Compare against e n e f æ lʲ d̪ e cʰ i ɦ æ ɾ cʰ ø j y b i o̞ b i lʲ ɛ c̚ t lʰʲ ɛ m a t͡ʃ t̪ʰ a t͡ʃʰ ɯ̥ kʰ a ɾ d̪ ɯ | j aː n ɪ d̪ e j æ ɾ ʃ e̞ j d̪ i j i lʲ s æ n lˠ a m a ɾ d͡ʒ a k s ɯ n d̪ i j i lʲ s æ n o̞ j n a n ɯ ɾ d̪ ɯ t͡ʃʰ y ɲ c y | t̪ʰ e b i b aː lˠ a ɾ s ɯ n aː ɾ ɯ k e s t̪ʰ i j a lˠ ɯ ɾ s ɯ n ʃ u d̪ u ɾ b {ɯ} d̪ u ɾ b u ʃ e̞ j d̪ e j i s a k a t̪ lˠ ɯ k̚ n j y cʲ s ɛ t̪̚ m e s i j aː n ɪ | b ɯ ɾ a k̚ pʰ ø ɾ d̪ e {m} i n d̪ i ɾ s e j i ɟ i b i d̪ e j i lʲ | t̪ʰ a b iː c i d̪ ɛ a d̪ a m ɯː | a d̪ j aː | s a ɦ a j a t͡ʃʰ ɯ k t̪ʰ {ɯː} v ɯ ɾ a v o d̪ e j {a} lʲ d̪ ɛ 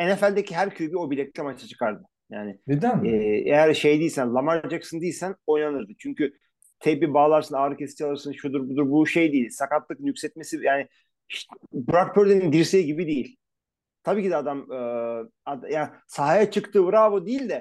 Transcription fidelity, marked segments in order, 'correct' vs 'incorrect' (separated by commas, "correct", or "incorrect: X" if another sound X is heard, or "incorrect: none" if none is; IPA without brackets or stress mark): incorrect: u, incorrect: n, correct, incorrect: i